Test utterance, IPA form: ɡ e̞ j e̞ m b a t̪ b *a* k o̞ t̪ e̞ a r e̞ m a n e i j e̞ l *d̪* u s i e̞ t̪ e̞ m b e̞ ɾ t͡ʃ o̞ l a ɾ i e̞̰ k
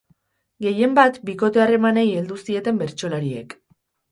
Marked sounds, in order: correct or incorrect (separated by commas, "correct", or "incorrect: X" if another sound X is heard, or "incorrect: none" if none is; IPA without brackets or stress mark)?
incorrect: i, correct